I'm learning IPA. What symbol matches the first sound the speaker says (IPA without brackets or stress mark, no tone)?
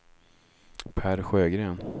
pʰ